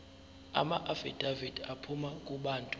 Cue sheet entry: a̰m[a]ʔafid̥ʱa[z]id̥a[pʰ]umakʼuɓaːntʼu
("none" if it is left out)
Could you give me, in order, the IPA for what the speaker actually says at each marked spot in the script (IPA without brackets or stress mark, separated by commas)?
a, v, pʰ